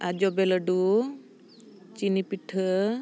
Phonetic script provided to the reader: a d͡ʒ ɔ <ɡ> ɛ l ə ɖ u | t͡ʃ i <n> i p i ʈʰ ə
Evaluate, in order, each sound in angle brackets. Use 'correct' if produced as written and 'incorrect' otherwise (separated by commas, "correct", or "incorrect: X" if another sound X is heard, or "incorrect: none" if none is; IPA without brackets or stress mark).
incorrect: b, correct